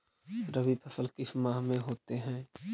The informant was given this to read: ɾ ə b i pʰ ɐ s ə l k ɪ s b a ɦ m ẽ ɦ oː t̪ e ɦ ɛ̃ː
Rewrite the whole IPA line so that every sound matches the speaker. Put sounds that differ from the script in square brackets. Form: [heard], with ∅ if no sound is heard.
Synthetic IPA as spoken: ɾ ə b i pʰ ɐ s ə l k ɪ s [m] a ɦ m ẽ ɦ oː t̪ e ɦ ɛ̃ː